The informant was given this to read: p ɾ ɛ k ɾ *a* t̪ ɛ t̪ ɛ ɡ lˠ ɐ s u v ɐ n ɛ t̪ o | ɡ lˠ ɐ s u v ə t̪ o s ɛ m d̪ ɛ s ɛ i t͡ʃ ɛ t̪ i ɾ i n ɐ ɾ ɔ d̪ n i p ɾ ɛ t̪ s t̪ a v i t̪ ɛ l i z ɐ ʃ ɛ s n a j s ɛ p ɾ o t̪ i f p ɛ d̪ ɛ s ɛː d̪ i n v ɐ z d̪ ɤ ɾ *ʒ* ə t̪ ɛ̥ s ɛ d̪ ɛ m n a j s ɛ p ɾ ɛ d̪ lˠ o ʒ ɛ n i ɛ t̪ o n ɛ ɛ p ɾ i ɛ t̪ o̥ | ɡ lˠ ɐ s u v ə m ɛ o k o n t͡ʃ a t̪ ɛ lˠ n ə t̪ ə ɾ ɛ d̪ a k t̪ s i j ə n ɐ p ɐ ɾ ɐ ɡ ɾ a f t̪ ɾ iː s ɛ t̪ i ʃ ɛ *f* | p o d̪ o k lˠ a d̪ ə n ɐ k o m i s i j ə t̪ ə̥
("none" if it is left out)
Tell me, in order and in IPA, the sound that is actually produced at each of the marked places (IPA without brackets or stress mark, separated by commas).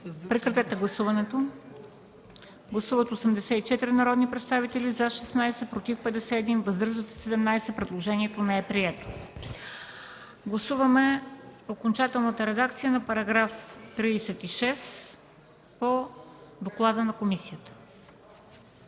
ɐ, ʒ, s